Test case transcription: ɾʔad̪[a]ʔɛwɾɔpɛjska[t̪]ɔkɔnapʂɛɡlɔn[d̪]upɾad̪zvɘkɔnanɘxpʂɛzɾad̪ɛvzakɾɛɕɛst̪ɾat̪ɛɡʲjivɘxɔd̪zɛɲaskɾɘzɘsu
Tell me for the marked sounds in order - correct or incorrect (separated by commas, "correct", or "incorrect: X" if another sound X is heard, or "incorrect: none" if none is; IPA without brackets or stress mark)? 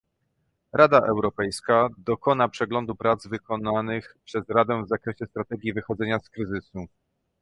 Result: correct, incorrect: d̪, correct